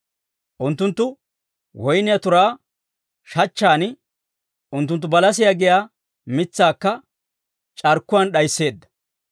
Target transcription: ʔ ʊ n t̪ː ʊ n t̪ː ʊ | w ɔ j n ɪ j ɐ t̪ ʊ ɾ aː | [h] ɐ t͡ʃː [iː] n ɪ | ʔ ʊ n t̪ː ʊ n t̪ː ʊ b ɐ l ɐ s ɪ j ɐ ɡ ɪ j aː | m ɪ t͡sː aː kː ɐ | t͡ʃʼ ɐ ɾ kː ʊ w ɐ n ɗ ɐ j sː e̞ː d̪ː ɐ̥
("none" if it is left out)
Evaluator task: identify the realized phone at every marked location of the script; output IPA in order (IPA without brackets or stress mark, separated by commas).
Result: ʃ, aː